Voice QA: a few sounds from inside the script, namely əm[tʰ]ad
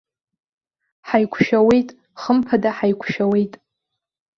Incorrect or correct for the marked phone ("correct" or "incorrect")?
incorrect